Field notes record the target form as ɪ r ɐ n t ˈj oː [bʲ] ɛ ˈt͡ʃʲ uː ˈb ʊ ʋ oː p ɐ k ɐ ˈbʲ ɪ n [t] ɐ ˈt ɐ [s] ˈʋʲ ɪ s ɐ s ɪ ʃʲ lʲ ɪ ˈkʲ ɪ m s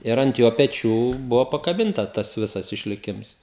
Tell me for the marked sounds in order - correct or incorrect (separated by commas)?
incorrect, correct, correct